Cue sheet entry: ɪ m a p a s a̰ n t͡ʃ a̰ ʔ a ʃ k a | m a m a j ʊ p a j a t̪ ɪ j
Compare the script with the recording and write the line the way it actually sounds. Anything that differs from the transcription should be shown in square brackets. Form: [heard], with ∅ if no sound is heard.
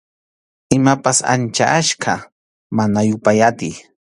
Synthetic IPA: ɪ m a p a s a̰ n t͡ʃ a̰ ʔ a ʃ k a | m a [n] a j ʊ p a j a t̪ ɪ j